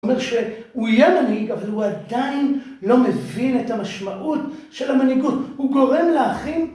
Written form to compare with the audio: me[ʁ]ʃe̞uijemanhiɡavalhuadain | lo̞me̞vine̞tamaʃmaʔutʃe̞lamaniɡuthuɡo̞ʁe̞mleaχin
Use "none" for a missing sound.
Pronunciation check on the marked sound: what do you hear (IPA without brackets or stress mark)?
ʁ